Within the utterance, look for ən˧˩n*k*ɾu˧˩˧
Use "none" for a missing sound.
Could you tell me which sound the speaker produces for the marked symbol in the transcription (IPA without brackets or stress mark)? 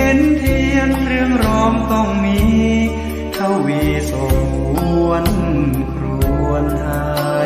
kʰ